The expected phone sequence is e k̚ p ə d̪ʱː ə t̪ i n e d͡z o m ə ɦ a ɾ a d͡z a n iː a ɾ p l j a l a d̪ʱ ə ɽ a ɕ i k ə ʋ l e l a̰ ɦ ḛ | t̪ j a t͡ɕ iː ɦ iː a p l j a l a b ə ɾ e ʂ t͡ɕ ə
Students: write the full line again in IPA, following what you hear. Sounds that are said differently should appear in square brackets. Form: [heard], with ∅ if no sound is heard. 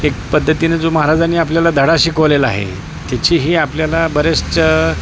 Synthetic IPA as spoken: e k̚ p ə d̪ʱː ə t̪ i n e d͡z o m ə ɦ a ɾ a d͡z a n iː a [∅] p l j a l a d̪ʱ ə ɽ a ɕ i k ə ʋ l e l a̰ ɦ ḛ | t̪ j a t͡ɕ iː ɦ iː a p l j a l a b ə ɾ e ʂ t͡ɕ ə